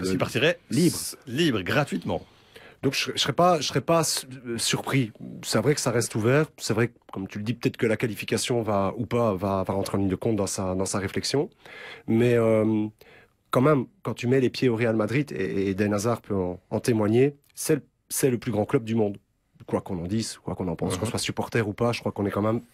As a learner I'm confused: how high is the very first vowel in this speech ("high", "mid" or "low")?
low